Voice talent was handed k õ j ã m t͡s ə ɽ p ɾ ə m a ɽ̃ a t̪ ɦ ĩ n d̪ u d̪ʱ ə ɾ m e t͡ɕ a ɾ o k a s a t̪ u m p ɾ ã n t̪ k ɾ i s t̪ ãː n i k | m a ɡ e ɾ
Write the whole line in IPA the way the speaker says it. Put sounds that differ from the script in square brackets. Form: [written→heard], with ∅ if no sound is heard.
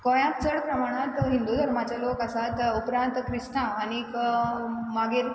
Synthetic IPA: k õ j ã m t͡s ə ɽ p ɾ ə m a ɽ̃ a t̪ ɦ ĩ n d̪ u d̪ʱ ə ɾ m [e→a] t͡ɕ a [ɾ→l] o k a s a t̪ u [m→∅] p ɾ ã n t̪ k ɾ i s t̪ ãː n i k | m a ɡ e ɾ